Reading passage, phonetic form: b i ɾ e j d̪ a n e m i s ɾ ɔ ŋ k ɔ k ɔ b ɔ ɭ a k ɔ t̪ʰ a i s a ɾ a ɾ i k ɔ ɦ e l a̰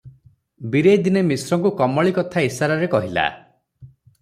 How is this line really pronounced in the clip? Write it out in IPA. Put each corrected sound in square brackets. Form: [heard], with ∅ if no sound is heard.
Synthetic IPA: b i ɾ e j d̪ [i] n e m i s ɾ ɔ ŋ k [u] k ɔ [m] ɔ ɭ [i] k ɔ t̪ʰ a i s a ɾ a ɾ [e] k ɔ ɦ [i] l a̰

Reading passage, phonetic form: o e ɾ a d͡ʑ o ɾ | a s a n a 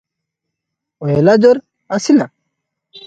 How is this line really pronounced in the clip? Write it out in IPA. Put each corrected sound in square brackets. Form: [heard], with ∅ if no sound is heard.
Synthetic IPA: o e [l] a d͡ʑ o ɾ | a s [i] n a

